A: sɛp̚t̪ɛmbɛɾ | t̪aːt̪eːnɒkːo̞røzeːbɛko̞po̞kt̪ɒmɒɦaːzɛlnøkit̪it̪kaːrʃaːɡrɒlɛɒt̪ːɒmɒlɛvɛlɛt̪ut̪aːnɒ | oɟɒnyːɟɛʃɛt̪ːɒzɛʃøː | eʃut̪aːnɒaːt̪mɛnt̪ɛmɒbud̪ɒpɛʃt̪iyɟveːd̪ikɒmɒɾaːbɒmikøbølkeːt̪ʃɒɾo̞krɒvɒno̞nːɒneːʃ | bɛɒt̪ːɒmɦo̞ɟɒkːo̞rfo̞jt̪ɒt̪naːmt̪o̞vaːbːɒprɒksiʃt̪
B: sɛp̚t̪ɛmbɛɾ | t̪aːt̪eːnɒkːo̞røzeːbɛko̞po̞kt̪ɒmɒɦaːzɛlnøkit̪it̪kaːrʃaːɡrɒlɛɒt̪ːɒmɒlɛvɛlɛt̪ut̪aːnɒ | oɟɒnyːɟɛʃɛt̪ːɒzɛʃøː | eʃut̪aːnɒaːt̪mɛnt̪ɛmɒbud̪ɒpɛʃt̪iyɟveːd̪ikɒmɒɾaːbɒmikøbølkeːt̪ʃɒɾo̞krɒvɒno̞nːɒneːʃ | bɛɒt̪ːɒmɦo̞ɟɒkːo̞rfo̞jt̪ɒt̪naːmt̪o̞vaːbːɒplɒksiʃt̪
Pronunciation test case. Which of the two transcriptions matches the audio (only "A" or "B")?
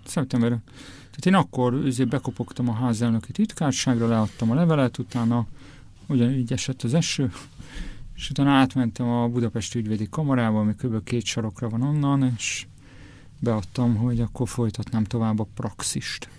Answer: A